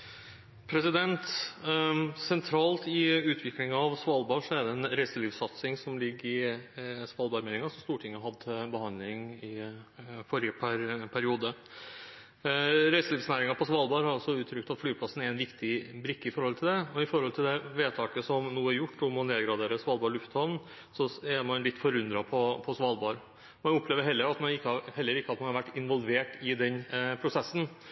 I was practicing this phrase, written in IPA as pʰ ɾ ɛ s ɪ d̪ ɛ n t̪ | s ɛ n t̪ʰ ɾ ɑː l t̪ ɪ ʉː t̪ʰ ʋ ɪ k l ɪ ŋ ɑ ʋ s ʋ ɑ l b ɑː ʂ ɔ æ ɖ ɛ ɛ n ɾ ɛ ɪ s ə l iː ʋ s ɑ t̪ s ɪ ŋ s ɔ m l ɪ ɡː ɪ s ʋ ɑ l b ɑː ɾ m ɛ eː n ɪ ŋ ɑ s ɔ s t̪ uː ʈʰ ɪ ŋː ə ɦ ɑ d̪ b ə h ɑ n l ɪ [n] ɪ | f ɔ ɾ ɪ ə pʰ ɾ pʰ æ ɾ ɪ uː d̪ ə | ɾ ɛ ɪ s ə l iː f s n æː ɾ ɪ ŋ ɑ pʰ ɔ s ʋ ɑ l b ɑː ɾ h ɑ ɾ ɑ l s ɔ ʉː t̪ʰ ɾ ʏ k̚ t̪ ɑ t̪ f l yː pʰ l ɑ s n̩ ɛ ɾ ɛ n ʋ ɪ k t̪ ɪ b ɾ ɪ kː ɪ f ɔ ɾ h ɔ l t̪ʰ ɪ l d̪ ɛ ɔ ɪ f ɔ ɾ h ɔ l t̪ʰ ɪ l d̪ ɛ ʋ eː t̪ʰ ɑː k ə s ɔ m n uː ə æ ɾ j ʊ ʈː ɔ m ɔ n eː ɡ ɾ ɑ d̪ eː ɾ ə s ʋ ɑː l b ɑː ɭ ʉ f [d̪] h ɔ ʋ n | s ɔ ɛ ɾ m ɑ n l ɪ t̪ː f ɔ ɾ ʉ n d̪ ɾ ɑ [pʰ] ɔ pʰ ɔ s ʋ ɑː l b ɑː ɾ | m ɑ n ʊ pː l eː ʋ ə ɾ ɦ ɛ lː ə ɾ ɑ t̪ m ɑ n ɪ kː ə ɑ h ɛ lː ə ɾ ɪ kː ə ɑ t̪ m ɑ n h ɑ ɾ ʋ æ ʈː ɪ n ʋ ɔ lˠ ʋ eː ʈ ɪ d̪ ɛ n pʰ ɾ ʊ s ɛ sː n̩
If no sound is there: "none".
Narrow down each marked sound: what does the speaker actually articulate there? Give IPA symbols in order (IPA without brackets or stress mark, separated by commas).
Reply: ŋ, t̪, pʰ